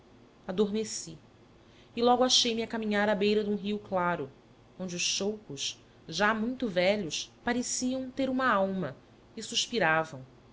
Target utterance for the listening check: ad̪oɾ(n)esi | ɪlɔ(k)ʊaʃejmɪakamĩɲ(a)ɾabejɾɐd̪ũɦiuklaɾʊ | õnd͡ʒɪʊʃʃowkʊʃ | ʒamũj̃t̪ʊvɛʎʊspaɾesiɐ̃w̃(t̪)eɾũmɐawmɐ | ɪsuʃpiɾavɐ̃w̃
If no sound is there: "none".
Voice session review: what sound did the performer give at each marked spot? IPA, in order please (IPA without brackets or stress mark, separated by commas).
m, ɡ, a, t̪